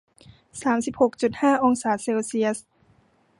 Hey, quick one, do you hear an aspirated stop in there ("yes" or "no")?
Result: no